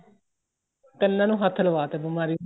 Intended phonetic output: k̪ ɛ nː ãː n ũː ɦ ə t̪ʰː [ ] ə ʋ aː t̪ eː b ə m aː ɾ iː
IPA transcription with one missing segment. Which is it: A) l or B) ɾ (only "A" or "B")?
A